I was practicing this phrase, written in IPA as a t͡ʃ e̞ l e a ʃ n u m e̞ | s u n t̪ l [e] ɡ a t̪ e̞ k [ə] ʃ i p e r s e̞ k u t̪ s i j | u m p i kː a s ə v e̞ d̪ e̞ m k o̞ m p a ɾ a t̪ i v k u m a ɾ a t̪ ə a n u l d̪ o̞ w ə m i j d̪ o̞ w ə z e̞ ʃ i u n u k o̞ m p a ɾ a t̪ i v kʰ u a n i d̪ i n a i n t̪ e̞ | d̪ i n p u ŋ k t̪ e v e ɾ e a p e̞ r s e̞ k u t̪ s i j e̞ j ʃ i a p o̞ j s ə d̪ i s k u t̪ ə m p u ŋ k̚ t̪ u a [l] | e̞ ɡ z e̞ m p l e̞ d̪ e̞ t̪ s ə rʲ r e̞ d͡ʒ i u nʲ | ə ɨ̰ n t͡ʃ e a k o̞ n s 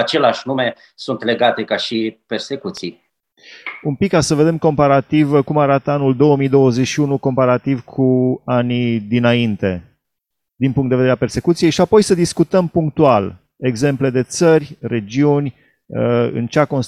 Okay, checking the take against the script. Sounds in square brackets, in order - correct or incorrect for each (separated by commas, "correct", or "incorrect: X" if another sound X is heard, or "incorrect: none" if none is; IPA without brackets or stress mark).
correct, incorrect: a, correct